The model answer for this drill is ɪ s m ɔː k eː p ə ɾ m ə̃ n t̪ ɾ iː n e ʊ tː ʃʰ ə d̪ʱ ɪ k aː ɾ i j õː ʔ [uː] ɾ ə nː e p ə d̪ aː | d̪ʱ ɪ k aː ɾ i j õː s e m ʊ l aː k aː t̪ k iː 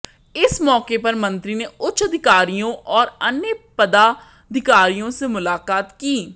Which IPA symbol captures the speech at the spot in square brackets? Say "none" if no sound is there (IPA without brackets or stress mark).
ɔː